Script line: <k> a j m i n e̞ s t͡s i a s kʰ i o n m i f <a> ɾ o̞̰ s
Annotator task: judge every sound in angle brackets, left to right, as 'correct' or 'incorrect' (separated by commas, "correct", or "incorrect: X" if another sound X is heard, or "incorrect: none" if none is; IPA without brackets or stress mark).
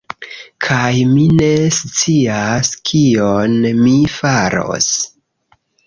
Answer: incorrect: kʰ, correct